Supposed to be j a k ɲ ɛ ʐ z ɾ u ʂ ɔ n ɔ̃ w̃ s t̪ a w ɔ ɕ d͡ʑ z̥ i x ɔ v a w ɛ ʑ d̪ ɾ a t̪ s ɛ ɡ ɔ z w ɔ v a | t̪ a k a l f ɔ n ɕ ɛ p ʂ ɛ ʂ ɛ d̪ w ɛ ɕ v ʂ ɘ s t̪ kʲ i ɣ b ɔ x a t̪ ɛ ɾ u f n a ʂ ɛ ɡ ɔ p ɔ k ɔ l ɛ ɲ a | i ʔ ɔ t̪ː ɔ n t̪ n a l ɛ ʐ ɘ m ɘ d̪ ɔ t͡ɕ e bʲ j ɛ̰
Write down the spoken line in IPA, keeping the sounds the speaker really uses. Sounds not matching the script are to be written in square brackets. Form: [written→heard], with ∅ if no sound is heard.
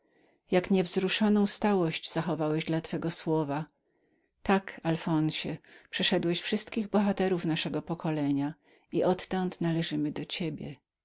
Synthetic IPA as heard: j a k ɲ ɛ [ʐ→v] z ɾ u ʂ ɔ n ɔ̃ w̃ s t̪ a w ɔ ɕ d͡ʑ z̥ [i→a] x ɔ v a w ɛ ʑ d̪ [ɾ→l] a t̪ [s→f] ɛ ɡ ɔ [z→s] w ɔ v a | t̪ a k a l f ɔ n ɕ ɛ p ʂ ɛ ʂ ɛ d̪ w ɛ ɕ [v→f] ʂ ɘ s t̪ kʲ i ɣ b ɔ x a t̪ ɛ ɾ u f n a ʂ ɛ ɡ ɔ p ɔ k ɔ l ɛ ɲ a | i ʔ ɔ t̪ː ɔ n t̪ n a l ɛ ʐ ɘ m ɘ d̪ ɔ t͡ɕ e bʲ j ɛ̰

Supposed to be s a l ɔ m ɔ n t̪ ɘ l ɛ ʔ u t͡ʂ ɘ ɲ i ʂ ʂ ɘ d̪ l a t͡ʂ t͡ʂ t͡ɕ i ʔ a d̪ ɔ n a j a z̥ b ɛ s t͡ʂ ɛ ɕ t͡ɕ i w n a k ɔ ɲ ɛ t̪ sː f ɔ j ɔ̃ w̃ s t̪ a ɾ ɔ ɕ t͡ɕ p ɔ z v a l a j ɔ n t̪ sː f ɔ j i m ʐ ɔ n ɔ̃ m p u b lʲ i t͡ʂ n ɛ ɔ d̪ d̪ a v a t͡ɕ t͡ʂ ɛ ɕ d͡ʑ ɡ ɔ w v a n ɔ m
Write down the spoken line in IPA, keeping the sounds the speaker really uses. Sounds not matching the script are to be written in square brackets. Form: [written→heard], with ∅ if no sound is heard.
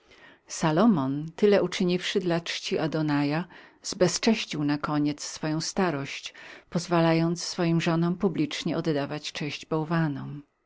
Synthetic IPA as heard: s a l ɔ m ɔ n t̪ ɘ l ɛ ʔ u t͡ʂ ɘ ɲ i [ʂ→f] ʂ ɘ d̪ l a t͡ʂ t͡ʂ t͡ɕ i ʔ a d̪ ɔ n a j a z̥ b ɛ s t͡ʂ ɛ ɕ t͡ɕ i w n a k ɔ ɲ ɛ t̪ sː f ɔ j ɔ̃ w̃ s t̪ a ɾ ɔ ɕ t͡ɕ p ɔ z v a l a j ɔ n t̪ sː f ɔ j i m ʐ ɔ n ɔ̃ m p u b lʲ i t͡ʂ [n→ɲ] ɛ ɔ d̪ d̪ a v a t͡ɕ t͡ʂ ɛ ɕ d͡ʑ [ɡ→b] ɔ w v a n ɔ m

